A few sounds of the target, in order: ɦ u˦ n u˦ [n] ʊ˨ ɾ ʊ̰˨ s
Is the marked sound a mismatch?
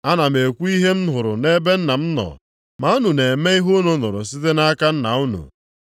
no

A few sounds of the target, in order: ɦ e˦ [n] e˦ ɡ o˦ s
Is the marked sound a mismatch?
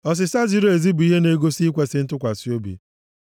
no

